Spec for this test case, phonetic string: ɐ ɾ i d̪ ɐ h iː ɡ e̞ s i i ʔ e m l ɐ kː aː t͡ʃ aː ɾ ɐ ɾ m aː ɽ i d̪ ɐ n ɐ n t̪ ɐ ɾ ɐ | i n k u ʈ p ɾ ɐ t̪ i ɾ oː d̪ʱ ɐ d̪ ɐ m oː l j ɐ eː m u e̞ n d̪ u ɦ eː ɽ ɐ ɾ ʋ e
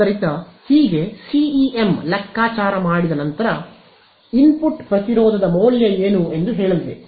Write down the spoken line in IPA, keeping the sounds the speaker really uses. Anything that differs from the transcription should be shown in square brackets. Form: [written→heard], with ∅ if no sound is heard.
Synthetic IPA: ɐ ɾ i [d̪→t̪] ɐ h iː ɡ e̞ s i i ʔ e m l ɐ kː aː t͡ʃ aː ɾ ɐ [ɾ→∅] m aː ɽ i d̪ ɐ n ɐ n t̪ ɐ ɾ ɐ | i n [k→p] u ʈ p ɾ ɐ t̪ i ɾ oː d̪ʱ ɐ d̪ ɐ m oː l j ɐ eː [m→n] u e̞ n d̪ u ɦ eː [ɽ→ɭ] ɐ [ɾ→l] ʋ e

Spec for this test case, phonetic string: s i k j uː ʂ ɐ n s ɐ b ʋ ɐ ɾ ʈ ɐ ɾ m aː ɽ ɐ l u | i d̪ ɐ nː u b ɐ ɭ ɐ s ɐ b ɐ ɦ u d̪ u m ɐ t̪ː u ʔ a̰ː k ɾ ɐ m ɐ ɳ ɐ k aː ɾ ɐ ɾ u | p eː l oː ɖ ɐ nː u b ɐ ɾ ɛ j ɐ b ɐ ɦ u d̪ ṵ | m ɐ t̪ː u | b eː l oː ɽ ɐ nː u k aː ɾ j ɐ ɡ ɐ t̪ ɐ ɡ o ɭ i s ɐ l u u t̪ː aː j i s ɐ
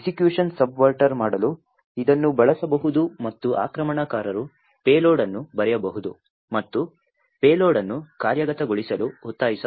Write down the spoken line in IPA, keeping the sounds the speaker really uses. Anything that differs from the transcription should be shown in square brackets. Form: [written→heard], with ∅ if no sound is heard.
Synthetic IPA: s i k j uː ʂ ɐ n s ɐ b ʋ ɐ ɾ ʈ ɐ ɾ m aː ɽ ɐ l u | i d̪ ɐ nː u b ɐ ɭ ɐ s ɐ b ɐ ɦ u d̪ u m ɐ t̪ː u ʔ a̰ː k ɾ ɐ m ɐ ɳ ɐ k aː ɾ ɐ ɾ u | p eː l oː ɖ ɐ nː u b ɐ ɾ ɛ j ɐ b ɐ ɦ u d̪ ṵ | m ɐ t̪ː u | [b→p] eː l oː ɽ ɐ nː u k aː ɾ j ɐ ɡ ɐ t̪ ɐ ɡ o ɭ i s ɐ l u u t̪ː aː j i s ɐ

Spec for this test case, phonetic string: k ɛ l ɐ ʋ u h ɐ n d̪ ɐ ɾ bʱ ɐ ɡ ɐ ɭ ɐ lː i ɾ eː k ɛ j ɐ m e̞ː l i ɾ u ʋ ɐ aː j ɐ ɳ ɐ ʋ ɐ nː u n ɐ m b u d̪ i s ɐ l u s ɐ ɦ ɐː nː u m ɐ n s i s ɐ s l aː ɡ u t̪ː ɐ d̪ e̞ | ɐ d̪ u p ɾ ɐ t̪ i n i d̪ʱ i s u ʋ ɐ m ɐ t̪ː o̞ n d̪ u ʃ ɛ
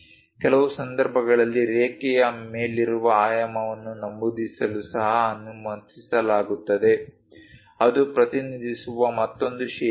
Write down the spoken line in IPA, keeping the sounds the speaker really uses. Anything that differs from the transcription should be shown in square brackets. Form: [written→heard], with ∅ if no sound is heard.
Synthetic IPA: k ɛ l ɐ ʋ u [h→s] ɐ n d̪ ɐ ɾ bʱ ɐ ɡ ɐ ɭ ɐ lː i ɾ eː k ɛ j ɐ m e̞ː l i ɾ u ʋ ɐ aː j ɐ [ɳ→m] ɐ ʋ ɐ nː u n ɐ m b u d̪ i s ɐ l u s ɐ ɦ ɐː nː u m ɐ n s i s ɐ [s→∅] l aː ɡ u t̪ː ɐ d̪ e̞ | ɐ d̪ u p ɾ ɐ t̪ i n i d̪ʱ i s u ʋ ɐ m ɐ t̪ː o̞ n d̪ u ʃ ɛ

